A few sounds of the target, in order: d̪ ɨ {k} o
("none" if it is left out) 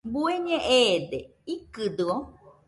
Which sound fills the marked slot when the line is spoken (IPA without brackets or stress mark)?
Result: none